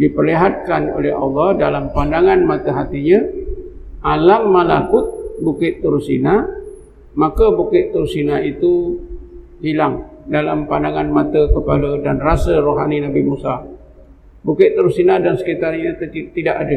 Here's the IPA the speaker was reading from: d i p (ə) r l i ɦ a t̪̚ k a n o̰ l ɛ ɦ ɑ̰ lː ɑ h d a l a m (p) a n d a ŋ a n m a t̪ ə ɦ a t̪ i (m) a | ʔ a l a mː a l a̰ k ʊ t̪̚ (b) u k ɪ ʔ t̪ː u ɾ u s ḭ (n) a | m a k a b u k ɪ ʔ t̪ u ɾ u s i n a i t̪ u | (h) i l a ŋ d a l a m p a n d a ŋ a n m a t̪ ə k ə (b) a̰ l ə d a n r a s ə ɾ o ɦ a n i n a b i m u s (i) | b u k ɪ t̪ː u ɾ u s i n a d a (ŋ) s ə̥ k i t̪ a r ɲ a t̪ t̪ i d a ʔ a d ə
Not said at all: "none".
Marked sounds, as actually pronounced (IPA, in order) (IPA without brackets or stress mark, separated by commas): ə, p, ɲ, b, n, h, p, a, n